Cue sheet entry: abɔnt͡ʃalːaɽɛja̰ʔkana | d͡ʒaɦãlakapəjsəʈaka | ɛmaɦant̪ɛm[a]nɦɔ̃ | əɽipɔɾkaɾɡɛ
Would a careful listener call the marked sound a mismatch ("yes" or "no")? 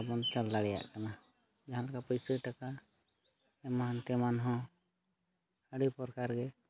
no